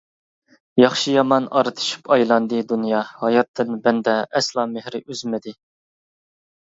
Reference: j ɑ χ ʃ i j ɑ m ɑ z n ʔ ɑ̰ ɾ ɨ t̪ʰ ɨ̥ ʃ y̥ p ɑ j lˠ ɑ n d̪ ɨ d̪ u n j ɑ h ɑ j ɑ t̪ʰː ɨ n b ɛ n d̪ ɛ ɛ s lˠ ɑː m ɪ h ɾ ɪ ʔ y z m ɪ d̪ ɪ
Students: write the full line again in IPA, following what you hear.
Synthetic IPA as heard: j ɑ χ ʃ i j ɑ m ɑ n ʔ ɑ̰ ɾ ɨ t̪ʰ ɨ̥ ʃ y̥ p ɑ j lˠ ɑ n d̪ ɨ d̪ u n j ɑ h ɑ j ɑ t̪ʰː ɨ n b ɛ n d̪ ɛ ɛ s lˠ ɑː m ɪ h ɾ ɪ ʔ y z m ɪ d̪ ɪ